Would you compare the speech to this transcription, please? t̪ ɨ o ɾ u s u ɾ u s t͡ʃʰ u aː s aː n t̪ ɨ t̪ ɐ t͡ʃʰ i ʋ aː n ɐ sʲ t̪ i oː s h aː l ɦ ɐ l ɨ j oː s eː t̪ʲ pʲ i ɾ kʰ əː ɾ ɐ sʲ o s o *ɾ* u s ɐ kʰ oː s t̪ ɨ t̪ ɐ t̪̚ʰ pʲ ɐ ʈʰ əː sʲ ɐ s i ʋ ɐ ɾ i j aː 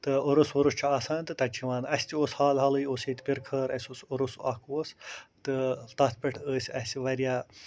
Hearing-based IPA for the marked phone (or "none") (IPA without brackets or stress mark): ɾ